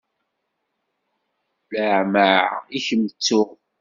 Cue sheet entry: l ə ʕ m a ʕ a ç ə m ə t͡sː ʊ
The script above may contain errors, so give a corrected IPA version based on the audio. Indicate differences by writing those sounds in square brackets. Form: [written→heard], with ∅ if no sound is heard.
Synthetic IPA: l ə ʕ m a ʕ [a→i] ç ə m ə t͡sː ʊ